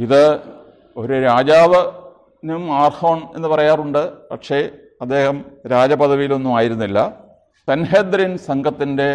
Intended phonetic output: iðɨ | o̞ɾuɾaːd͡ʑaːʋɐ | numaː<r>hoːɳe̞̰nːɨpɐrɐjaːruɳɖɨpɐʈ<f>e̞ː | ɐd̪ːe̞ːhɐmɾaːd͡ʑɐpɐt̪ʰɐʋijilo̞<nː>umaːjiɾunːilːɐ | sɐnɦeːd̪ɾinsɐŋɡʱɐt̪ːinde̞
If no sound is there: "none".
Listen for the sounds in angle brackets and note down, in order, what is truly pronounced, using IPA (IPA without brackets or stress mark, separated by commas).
r, ʂ, nː